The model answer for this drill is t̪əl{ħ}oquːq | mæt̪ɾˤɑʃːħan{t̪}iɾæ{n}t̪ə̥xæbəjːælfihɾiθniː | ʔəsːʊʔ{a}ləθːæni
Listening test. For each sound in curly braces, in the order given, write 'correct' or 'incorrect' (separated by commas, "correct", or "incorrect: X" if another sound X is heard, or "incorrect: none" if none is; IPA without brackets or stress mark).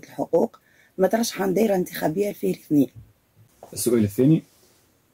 correct, incorrect: d̪, correct, incorrect: æ